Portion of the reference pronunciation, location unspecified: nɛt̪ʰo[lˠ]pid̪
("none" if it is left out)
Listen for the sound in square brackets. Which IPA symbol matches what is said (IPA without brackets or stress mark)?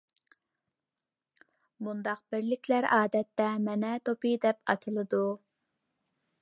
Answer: none